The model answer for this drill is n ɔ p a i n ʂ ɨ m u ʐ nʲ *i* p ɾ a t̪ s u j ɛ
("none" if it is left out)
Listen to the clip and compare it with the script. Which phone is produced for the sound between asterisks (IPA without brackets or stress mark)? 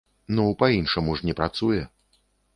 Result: ɛ